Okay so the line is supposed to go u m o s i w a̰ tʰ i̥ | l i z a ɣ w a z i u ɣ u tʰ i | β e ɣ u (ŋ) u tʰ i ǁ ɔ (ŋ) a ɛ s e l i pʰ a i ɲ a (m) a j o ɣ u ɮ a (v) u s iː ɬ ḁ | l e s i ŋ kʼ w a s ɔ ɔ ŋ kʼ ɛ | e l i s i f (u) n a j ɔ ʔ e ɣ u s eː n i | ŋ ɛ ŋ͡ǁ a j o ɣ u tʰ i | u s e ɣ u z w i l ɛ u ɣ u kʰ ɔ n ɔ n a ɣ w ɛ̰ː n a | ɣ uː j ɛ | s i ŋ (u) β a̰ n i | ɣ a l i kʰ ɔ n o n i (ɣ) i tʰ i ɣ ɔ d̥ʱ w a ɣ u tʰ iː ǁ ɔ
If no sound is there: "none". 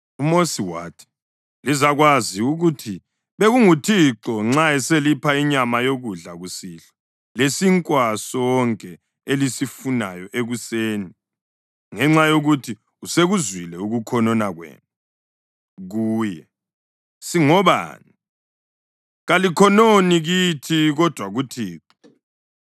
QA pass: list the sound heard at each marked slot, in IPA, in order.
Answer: ŋ, ŋ͡ǁ, m, ɣ, u, ɔ, ɣ

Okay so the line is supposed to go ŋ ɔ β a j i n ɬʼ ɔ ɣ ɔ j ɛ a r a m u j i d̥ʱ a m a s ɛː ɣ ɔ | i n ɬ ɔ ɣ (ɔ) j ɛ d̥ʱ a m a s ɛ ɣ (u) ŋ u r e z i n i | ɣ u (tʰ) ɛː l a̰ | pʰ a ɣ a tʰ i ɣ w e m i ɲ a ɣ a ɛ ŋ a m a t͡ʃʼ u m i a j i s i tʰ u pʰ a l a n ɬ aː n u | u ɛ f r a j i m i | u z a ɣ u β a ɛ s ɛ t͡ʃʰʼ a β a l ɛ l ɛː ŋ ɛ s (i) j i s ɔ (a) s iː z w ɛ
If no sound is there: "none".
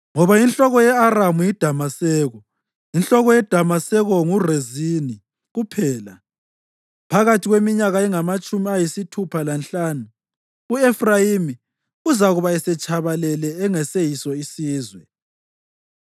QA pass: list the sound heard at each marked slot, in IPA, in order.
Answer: ɔ, ɔ, pʰ, e, i

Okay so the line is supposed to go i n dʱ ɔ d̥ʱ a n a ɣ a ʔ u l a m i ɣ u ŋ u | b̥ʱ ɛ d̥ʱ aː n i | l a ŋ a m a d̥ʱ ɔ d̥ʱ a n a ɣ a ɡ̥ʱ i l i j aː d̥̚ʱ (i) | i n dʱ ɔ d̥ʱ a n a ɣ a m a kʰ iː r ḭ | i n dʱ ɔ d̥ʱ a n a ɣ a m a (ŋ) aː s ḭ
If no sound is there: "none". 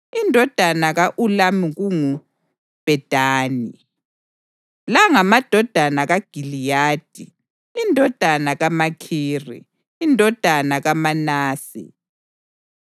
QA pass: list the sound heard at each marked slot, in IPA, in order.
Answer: i, n

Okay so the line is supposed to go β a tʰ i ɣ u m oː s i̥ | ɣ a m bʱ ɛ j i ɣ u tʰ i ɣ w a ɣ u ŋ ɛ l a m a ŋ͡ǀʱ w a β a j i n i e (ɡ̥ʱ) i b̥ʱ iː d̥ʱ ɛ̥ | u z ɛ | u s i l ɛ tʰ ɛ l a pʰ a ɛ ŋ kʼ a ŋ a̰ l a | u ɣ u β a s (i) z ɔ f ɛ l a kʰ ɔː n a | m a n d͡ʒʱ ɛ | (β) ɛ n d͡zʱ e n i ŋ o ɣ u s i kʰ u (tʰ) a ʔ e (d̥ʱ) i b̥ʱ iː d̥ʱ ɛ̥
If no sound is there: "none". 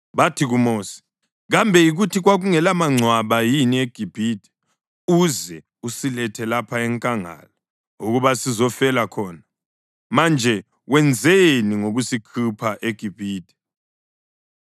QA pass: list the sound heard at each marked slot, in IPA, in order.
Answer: ɡ̥ʱ, i, w, pʰ, ɡ̥ʱ

